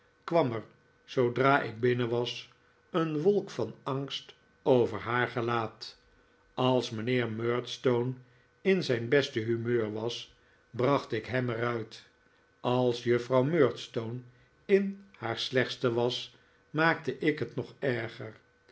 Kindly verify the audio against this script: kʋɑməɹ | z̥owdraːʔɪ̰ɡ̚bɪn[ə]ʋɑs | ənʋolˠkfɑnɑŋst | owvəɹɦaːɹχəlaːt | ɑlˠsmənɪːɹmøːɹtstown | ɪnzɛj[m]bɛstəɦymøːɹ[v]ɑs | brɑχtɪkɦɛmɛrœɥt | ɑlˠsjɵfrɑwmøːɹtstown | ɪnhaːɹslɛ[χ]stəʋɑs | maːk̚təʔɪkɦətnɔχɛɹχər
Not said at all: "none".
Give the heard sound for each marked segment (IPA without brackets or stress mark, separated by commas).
ə, n, ʋ, χ